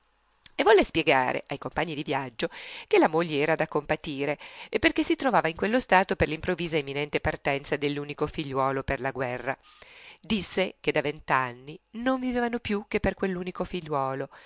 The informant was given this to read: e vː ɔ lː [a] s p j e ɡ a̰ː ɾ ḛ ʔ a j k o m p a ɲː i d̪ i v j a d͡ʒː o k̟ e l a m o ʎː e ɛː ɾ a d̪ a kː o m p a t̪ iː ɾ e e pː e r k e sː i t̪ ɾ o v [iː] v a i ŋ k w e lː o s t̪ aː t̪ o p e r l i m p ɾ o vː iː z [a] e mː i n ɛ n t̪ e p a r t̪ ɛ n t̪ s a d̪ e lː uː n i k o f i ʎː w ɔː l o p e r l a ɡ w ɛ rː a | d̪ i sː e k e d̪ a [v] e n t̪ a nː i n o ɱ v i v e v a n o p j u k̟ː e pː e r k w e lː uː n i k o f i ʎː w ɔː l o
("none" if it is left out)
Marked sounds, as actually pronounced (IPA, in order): e, aː, a, v

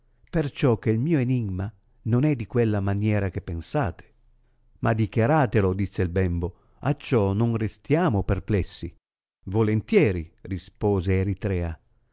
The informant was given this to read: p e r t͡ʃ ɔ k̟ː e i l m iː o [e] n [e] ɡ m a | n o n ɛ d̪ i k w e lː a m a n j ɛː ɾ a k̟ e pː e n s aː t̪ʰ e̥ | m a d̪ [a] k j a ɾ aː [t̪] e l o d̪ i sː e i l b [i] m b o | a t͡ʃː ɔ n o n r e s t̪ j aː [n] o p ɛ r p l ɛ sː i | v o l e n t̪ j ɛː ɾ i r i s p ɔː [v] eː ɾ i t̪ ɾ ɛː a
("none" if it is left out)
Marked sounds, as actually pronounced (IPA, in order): e, i, i, t̪, ɛ, m, z

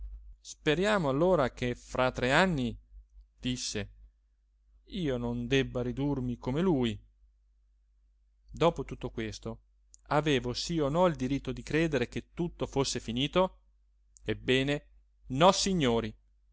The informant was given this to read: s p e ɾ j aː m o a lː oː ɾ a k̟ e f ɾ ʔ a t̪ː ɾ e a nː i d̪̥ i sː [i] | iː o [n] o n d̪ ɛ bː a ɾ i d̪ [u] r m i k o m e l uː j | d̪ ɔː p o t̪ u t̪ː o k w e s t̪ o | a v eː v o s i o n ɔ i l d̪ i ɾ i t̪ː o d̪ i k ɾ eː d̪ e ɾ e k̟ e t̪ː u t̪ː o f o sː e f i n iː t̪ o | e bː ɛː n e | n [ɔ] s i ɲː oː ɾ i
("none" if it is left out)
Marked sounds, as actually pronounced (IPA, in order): e, n, u, ɔ

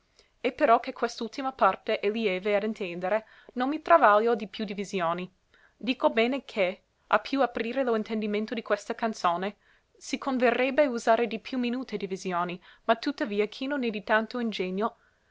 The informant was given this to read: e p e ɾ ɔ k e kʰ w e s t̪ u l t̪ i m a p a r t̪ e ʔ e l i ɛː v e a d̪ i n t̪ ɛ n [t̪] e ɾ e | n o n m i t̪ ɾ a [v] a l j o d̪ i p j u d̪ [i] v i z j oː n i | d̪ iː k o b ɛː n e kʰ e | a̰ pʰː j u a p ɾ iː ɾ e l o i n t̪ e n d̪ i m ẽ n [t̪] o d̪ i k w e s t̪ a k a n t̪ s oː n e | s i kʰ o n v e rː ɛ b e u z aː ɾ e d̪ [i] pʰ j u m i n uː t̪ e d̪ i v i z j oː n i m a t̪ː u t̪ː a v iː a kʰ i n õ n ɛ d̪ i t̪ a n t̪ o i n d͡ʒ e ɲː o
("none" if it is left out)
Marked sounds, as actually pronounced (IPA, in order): d̪, v, i, t̪, i

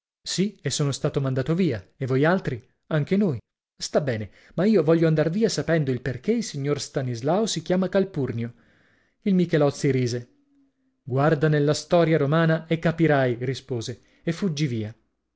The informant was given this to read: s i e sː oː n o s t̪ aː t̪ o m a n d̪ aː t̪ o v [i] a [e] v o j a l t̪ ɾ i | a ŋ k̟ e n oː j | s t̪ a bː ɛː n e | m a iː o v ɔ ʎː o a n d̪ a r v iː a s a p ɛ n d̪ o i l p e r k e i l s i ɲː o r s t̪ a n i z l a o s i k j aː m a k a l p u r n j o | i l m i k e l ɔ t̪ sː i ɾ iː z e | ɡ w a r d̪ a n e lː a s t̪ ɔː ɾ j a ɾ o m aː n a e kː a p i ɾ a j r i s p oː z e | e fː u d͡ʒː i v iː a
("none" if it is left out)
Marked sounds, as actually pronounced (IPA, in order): iː, e

